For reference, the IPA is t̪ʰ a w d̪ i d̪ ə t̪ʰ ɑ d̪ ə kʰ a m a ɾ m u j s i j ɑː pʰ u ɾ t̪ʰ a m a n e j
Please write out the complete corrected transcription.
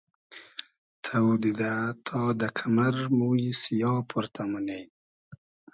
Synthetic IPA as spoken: t̪ʰ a w d̪ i d̪ a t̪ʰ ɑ d̪ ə kʰ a m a ɾ m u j s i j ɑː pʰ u ɾ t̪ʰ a m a n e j